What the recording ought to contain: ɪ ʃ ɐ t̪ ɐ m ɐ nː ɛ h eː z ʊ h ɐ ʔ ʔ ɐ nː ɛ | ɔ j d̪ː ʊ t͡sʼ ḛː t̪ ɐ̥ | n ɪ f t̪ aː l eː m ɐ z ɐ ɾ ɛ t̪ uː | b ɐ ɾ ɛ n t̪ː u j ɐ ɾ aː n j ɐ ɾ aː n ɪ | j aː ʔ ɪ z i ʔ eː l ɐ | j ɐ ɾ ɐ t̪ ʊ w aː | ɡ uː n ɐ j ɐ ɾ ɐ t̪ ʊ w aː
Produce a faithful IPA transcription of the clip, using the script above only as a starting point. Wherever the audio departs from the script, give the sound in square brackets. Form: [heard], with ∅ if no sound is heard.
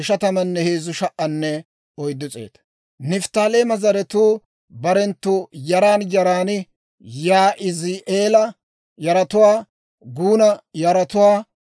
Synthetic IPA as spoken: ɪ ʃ ɐ t̪ ɐ m ɐ nː ɛ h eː z ʊ [ʃ] ɐ ʔ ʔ ɐ nː ɛ | ɔ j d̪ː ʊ t͡sʼ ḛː t̪ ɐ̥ | n ɪ f t̪ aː l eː m ɐ z ɐ ɾ ɛ t̪ uː | b ɐ ɾ ɛ n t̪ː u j ɐ ɾ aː n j ɐ ɾ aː n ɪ | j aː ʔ ɪ z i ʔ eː l ɐ | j ɐ ɾ ɐ t̪ ʊ w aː | ɡ uː n ɐ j ɐ ɾ ɐ t̪ ʊ w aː